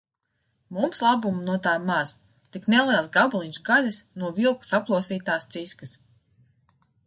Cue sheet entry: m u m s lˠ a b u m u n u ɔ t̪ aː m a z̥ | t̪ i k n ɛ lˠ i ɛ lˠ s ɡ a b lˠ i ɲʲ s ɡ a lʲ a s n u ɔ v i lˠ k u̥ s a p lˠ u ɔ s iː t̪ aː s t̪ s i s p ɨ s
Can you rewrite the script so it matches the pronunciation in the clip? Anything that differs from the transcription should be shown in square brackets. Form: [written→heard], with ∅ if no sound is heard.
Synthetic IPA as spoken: m u m s lˠ a b u m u n u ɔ t̪ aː m a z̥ | t̪ i k n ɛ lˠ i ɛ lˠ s ɡ a b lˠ i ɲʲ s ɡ a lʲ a s n u ɔ v i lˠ k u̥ s a p lˠ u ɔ s iː t̪ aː s t̪ s i s [p→k] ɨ s

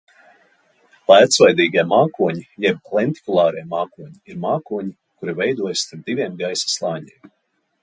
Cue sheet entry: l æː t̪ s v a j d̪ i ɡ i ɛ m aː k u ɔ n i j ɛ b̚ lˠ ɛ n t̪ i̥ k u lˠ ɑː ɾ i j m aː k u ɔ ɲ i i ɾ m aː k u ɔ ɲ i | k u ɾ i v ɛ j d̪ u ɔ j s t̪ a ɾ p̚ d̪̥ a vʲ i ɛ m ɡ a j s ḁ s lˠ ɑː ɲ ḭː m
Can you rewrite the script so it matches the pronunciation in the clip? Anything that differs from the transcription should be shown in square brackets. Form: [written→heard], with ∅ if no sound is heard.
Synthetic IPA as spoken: l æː t̪ s v a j d̪ [i→iː] ɡ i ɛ m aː k u ɔ [n→ɲ] i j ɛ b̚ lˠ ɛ n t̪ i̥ k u lˠ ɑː ɾ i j m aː k u ɔ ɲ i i ɾ m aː k u ɔ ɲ i | k u ɾ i v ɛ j d̪ u ɔ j s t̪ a ɾ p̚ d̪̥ [a→i] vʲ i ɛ m ɡ a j s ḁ s lˠ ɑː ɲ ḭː m

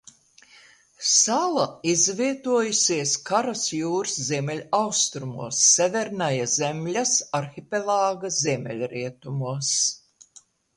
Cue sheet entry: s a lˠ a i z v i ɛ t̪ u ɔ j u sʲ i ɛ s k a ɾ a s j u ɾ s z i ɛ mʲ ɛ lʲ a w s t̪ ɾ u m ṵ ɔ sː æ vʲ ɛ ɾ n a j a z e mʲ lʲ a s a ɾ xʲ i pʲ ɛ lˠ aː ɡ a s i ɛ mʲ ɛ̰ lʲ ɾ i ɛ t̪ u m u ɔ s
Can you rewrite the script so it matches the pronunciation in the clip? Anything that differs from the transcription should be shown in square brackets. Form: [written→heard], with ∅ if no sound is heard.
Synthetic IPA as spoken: s a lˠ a i z v i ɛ t̪ u ɔ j u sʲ i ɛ s k a ɾ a s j [u→uː] ɾ s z i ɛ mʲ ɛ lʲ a w s t̪ ɾ u m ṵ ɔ sː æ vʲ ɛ ɾ n a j a z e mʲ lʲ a s a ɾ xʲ i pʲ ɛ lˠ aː ɡ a [s→z] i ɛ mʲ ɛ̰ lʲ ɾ i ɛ t̪ u m u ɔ s

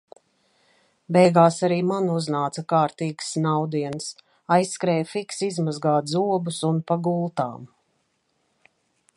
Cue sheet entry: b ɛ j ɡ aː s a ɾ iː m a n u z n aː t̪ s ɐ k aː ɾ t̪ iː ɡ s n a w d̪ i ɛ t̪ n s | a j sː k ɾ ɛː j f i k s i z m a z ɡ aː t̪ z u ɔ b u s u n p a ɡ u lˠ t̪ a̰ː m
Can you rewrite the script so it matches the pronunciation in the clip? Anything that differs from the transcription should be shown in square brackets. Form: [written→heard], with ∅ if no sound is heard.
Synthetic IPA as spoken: b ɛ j ɡ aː s a ɾ iː m a n u z n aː t̪ s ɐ k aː ɾ t̪ iː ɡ s n a w d̪ i ɛ [t̪→∅] n s | a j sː k ɾ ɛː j f i k s i z m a z ɡ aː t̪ z u ɔ b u s u n p a ɡ u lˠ t̪ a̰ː m

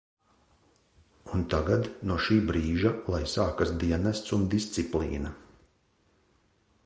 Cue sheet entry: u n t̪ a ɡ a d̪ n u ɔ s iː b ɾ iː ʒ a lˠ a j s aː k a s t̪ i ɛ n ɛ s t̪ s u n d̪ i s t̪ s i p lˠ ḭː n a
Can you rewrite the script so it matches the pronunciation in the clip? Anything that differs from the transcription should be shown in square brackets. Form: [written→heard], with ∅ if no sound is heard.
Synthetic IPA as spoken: u n t̪ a ɡ a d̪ n u ɔ [s→ʃ] iː b ɾ iː ʒ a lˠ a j s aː k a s [t̪→d̪] i ɛ n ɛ s t̪ s u n d̪ i s t̪ s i p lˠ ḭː n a

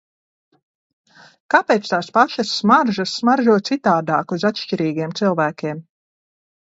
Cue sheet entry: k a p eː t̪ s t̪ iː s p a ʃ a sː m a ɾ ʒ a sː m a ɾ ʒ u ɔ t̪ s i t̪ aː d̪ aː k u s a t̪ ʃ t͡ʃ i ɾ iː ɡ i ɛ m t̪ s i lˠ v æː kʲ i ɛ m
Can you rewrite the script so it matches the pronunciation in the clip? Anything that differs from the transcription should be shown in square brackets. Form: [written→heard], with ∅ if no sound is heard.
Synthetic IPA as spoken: k a p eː t̪ s t̪ [iː→aː] s p a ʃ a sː m a ɾ ʒ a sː m a ɾ ʒ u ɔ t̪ s i t̪ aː d̪ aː k u [s→z] a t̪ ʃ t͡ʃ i ɾ iː ɡ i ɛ m t̪ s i lˠ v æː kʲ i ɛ m

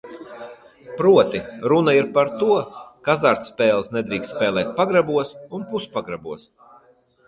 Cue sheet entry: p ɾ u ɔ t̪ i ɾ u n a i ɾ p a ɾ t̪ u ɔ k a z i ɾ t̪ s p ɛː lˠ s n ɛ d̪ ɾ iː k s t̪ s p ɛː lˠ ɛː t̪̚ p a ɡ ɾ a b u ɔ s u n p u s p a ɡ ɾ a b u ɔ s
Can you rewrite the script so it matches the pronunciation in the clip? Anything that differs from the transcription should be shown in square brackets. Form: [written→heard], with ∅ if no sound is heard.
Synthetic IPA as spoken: p ɾ u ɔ t̪ i ɾ u n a i ɾ p a ɾ t̪ u ɔ k a z [i→a] ɾ t̪ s p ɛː lˠ s n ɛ d̪ ɾ iː k s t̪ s p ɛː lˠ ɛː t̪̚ p a ɡ ɾ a b u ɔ s u n p u s p a ɡ ɾ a b u ɔ s

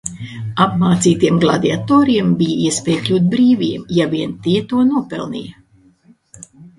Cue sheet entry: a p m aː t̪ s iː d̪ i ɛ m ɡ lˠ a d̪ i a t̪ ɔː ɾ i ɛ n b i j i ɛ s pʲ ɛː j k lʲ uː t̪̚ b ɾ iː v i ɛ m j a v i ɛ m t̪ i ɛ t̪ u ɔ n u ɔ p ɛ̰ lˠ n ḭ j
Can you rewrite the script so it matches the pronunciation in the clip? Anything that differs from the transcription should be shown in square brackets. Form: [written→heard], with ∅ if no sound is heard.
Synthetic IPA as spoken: a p m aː t̪ s iː [d̪→t̪] i ɛ m ɡ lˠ a d̪ i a t̪ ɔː ɾ i ɛ [n→m] b i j i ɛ s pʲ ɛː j k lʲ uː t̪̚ b ɾ iː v i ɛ m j a v i ɛ [m→n] t̪ i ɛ t̪ u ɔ n u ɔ p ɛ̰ lˠ n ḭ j

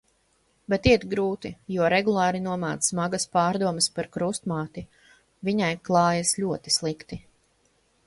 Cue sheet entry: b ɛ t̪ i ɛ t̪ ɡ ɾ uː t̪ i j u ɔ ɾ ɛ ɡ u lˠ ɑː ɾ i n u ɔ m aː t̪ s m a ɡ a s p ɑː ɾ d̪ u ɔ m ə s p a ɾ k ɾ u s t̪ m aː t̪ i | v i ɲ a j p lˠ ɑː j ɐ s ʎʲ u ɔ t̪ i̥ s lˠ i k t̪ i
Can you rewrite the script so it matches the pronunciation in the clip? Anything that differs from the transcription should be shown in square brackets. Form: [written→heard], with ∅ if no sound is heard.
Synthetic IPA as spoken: b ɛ t̪ i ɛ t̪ ɡ ɾ uː t̪ i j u ɔ ɾ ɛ ɡ u lˠ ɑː ɾ i n u ɔ m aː t̪ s m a ɡ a s p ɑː ɾ d̪ u ɔ m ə s p a ɾ k ɾ u s t̪ m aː t̪ i | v i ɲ a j [p→k] lˠ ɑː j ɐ s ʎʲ u ɔ t̪ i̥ s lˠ i k t̪ i

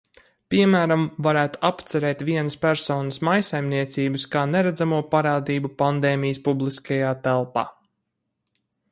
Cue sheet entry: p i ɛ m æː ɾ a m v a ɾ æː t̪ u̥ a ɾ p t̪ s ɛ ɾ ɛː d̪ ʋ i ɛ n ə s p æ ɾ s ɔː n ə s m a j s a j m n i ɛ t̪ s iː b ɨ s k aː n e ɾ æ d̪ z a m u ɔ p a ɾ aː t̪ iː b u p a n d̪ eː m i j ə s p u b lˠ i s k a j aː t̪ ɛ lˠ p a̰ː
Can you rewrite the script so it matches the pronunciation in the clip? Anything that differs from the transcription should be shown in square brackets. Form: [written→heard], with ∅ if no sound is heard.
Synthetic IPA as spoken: p i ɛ m æː ɾ a m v a ɾ æː t̪ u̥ a [ɾ→∅] p t̪ s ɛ ɾ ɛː [d̪→t̪] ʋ i ɛ n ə s p æ ɾ s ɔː n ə s m a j s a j m n i ɛ t̪ s iː b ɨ s k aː n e ɾ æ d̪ z a m u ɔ p a ɾ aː [t̪→d̪] iː b u p a n d̪ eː m i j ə s p u b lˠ i s k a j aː t̪ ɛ lˠ p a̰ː

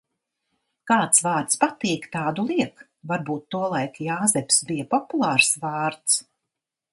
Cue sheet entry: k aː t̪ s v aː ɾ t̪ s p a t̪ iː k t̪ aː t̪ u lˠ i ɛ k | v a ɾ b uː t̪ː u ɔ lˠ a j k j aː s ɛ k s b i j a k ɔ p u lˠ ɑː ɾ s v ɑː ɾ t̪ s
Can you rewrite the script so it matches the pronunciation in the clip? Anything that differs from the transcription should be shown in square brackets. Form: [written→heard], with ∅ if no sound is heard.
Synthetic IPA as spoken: k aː t̪ s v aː ɾ t̪ s p a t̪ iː k t̪ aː [t̪→d̪] u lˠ i ɛ k | v a ɾ b uː t̪ː u ɔ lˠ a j k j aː [s→z] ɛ [k→p] s b i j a [k→p] ɔ p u lˠ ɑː ɾ s v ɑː ɾ t̪ s

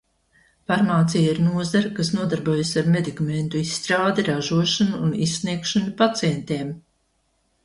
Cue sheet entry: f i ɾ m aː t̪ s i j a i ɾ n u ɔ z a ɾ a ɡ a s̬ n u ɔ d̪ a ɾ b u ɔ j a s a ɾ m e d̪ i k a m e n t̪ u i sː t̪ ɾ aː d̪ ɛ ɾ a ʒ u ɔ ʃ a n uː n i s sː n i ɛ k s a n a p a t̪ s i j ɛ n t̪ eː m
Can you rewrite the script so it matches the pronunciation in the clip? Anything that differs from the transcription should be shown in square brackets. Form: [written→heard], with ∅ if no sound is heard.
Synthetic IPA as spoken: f [i→a] ɾ m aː t̪ s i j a i ɾ n u ɔ z a ɾ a [ɡ→k] a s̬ n u ɔ d̪ a ɾ b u ɔ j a s a ɾ m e d̪ i k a m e n t̪ u i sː t̪ ɾ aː d̪ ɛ ɾ a ʒ u ɔ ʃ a n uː n i s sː n i ɛ k [s→ʃ] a n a p a t̪ s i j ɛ n t̪ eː m

